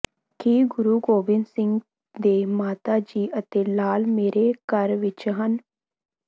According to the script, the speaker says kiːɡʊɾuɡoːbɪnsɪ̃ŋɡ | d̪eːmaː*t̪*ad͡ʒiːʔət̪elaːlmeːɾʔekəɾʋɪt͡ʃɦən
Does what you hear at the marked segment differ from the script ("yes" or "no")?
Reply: no